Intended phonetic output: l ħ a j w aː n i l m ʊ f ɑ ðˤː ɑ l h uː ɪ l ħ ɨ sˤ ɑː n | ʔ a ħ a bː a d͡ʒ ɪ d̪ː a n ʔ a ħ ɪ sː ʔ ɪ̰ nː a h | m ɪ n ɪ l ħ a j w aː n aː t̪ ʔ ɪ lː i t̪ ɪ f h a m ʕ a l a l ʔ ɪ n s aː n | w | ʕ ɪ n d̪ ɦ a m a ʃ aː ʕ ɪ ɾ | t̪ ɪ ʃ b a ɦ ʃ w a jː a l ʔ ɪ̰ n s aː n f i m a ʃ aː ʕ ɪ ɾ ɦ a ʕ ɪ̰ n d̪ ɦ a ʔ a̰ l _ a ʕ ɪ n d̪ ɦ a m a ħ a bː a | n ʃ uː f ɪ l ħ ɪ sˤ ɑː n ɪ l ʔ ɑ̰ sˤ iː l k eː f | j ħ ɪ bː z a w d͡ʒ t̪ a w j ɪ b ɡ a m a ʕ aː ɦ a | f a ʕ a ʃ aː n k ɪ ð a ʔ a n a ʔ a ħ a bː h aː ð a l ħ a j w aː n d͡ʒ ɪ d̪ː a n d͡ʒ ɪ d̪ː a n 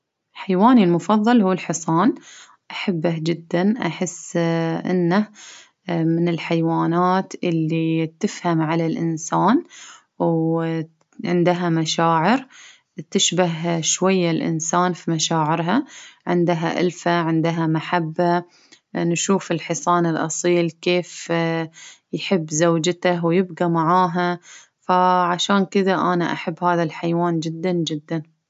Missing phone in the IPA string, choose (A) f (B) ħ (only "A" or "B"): A